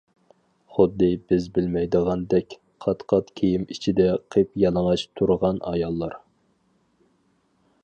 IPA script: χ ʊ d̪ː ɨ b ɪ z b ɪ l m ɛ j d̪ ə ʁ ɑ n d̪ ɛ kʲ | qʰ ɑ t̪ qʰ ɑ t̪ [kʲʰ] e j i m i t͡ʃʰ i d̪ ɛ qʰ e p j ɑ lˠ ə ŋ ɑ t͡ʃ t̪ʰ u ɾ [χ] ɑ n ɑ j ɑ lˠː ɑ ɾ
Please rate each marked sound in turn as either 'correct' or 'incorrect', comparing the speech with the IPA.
correct, incorrect

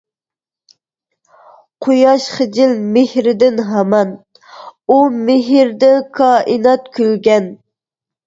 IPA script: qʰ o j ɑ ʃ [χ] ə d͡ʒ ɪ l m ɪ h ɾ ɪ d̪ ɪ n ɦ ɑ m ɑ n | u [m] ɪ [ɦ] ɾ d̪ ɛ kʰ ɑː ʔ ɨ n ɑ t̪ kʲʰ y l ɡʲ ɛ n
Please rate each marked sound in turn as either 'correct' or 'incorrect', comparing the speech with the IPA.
correct, correct, correct

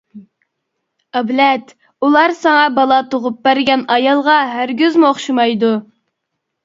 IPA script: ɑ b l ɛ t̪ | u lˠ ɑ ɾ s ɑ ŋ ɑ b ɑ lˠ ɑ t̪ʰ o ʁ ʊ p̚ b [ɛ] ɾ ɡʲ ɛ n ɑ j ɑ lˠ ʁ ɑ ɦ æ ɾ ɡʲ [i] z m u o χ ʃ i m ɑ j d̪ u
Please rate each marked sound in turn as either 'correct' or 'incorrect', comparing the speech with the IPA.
incorrect, incorrect

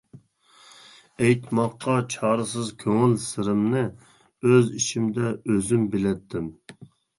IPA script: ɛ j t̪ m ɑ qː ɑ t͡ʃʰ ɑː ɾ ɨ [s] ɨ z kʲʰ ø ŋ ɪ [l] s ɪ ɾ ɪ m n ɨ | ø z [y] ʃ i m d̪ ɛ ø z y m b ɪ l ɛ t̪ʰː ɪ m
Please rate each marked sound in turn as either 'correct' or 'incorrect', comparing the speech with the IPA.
correct, correct, incorrect

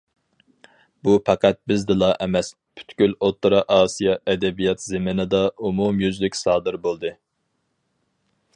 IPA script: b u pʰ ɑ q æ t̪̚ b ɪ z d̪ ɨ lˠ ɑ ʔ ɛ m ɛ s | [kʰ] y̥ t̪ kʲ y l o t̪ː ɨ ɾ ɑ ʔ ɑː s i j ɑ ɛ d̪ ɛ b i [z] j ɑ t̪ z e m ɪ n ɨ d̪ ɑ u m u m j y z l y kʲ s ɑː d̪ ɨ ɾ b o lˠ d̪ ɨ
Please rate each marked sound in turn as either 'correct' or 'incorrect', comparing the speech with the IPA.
incorrect, incorrect

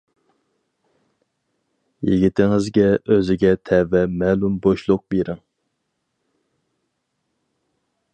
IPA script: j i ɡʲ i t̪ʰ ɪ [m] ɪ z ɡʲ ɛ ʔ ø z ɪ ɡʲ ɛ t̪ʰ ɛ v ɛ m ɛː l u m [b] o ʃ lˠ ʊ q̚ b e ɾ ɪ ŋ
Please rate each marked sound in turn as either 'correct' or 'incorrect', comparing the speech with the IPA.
incorrect, correct

